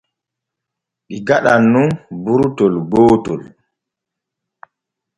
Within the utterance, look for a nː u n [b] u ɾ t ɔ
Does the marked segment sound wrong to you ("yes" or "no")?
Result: no